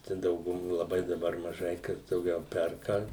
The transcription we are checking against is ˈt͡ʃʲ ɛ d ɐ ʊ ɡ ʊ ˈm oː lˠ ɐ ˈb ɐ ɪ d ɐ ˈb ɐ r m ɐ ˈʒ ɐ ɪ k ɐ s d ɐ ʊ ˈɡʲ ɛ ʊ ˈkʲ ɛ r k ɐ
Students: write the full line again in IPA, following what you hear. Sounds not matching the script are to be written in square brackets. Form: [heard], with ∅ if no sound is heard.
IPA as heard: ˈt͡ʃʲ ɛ d ɐ ʊ ɡ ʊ ˈm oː lˠ ɐ ˈb ɐ ɪ d ɐ ˈb ɐ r m ɐ ˈʒ ɐ ɪ k ɐ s d ɐ ʊ ˈɡʲ ɛ ʊ [ˈpʲ] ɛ r k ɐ